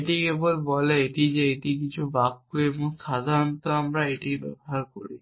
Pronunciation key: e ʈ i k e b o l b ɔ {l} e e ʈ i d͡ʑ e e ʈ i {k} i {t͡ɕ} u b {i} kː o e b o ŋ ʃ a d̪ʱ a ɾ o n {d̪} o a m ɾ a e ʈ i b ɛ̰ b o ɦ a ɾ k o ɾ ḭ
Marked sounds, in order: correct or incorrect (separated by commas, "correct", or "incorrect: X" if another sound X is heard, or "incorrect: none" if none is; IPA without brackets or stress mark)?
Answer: correct, correct, incorrect: t͡ɕʰ, incorrect: a, incorrect: t̪